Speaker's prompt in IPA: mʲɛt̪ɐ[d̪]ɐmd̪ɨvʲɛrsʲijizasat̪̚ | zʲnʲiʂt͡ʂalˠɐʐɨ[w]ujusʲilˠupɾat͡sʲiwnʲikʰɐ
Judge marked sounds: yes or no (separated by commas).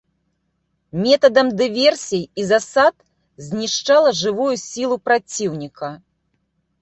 yes, no